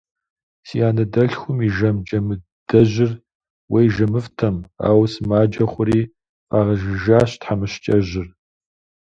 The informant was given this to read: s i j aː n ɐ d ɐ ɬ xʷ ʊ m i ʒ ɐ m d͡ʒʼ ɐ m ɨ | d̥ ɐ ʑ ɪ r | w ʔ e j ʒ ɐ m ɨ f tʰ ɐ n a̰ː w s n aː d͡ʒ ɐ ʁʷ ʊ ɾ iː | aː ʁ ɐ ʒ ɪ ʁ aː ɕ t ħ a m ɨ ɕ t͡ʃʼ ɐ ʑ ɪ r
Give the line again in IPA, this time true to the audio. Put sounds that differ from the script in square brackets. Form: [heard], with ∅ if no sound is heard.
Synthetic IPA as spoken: s i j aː n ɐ d ɐ ɬ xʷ ʊ m i ʒ ɐ m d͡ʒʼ ɐ m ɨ | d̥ ɐ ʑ ɪ r | w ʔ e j ʒ ɐ m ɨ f tʰ ɐ [m] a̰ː w s [m] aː d͡ʒ ɐ [χʷ] ʊ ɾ iː | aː ʁ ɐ ʒ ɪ [ʒ] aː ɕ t ħ a m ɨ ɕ t͡ʃʼ ɐ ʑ ɪ r